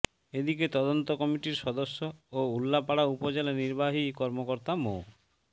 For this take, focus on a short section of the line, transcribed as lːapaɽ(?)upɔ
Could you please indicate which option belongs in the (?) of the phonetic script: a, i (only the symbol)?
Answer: a